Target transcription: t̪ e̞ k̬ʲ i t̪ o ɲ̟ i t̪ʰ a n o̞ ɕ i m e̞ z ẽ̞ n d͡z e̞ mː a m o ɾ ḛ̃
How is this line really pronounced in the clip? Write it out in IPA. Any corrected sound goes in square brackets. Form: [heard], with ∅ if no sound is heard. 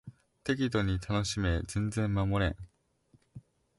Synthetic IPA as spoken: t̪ e̞ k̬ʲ i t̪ o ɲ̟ i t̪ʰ a n o̞ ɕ i m e̞ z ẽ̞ n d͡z [ẽ̞] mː a m o ɾ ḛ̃